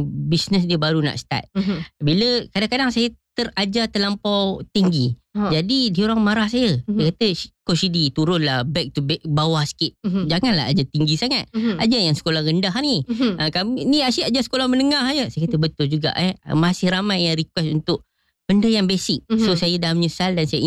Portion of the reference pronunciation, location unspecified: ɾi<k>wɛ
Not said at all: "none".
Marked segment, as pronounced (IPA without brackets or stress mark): k